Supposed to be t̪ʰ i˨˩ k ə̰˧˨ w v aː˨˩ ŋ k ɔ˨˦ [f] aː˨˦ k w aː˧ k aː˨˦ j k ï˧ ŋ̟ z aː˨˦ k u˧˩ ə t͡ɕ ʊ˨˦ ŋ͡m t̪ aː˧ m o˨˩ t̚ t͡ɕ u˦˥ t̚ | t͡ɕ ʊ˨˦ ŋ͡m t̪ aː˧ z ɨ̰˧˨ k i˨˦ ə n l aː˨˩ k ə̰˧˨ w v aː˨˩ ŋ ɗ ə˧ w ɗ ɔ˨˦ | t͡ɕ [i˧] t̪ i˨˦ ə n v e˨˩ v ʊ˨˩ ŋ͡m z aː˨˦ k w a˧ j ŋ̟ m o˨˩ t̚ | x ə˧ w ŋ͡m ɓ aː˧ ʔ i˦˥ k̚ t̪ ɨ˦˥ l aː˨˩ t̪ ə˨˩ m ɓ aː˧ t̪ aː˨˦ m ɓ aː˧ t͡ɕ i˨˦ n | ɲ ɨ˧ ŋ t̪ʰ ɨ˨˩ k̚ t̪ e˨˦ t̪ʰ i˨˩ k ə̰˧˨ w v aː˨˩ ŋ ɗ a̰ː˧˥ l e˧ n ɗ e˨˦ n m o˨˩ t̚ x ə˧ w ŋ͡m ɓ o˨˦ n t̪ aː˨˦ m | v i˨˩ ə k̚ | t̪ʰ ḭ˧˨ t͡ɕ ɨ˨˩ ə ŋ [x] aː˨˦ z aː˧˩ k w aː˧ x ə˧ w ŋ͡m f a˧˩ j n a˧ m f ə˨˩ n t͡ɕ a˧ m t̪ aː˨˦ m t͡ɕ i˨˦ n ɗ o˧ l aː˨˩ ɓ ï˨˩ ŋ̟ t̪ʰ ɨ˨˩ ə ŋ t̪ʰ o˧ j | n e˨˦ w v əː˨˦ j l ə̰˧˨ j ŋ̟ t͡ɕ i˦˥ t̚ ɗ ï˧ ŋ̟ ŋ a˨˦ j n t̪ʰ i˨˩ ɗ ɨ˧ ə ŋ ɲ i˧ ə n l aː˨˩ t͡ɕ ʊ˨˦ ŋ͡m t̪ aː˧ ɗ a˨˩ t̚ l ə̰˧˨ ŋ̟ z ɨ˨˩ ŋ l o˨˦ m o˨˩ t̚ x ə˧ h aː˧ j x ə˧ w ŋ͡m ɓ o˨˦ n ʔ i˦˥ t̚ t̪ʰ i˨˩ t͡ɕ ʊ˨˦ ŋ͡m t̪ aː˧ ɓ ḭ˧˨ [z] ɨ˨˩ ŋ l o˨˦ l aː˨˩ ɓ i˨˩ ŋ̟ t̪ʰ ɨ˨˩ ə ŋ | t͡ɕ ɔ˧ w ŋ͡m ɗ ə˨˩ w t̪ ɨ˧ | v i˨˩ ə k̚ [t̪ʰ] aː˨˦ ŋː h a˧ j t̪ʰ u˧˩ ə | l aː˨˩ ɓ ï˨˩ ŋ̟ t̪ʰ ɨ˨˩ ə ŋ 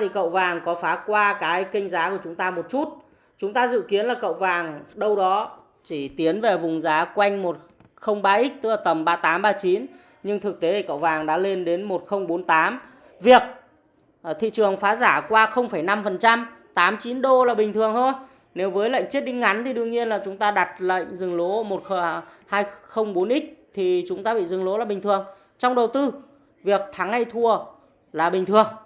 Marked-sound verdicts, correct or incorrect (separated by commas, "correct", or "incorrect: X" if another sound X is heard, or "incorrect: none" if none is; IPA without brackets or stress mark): correct, incorrect: i˧˩, incorrect: f, correct, correct